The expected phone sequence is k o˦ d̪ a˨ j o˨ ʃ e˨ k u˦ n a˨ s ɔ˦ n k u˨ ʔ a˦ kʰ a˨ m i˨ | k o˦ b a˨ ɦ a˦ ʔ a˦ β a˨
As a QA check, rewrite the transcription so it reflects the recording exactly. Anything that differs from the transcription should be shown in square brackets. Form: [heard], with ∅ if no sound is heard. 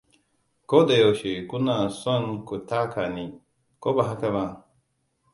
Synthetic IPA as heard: k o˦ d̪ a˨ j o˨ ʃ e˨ k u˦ n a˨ s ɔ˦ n k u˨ [t] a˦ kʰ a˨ [n] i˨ | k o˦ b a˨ ɦ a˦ [k] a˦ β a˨